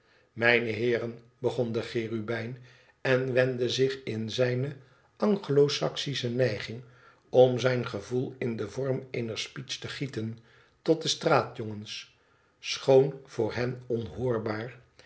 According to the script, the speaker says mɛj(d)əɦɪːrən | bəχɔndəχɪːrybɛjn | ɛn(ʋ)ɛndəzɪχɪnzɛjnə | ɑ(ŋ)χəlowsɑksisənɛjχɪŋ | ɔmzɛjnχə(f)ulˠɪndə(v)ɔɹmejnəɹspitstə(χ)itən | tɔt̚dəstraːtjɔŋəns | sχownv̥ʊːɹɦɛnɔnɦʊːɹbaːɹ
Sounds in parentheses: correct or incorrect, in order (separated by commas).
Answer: incorrect, correct, correct, incorrect, correct, correct